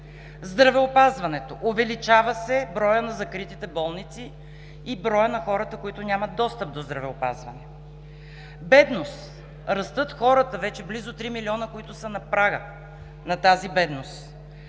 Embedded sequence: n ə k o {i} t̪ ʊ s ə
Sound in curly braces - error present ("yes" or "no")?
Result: no